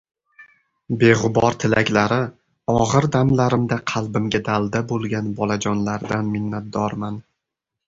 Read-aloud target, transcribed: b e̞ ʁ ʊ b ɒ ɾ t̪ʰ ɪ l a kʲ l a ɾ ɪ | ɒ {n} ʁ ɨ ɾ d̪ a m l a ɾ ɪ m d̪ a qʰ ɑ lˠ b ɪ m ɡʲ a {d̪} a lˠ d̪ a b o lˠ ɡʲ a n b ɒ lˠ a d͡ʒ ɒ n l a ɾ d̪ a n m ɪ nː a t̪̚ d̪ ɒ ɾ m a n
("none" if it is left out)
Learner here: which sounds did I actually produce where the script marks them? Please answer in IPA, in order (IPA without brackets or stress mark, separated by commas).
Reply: none, d̪